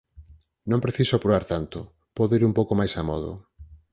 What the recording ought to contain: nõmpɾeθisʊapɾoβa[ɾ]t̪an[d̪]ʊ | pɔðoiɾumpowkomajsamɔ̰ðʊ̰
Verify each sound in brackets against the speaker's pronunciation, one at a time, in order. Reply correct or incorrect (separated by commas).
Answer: correct, incorrect